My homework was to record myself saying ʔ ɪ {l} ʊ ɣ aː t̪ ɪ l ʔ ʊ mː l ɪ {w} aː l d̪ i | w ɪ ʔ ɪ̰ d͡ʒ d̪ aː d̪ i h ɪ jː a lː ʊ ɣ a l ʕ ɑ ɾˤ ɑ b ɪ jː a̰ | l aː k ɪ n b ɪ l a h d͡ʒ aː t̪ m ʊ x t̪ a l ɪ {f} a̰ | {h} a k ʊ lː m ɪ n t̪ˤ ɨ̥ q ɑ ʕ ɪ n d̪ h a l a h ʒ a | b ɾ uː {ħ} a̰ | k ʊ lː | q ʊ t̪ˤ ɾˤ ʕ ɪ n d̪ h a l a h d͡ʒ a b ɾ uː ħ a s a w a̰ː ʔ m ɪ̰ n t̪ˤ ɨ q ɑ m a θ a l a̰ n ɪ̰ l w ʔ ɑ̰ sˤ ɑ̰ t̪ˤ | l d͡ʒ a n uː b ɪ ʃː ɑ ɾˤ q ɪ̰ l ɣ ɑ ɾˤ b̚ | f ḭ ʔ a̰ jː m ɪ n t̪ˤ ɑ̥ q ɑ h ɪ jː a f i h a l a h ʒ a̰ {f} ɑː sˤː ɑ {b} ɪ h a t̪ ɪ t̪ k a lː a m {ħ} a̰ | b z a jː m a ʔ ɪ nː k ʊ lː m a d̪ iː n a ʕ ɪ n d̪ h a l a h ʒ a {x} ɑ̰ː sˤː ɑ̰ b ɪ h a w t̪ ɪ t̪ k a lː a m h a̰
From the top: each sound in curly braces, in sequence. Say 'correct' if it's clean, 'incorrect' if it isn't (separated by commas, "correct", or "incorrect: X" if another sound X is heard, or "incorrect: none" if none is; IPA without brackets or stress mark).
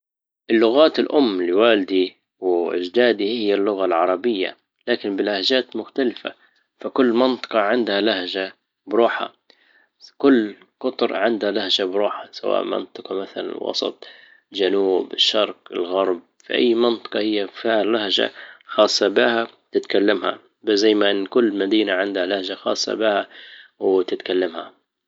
incorrect: lː, correct, correct, incorrect: f, correct, incorrect: x, correct, incorrect: h, correct